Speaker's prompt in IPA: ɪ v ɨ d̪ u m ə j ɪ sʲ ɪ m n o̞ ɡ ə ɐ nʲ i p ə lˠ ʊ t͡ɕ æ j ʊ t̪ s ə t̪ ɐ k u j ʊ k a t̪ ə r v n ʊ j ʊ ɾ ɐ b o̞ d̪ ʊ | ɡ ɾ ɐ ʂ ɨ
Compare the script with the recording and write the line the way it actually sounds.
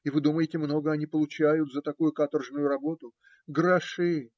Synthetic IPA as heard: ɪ v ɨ d̪ u m ə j ɪ tʲ ɪ m n o̞ ɡ ə ɐ nʲ i p ə lˠ ʊ t͡ɕ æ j ʊ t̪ z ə t̪ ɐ k u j ʊ k a t̪ ə r ʐ n ʊ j ʊ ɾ ɐ b o̞ t̪ ʊ | ɡ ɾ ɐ ʂ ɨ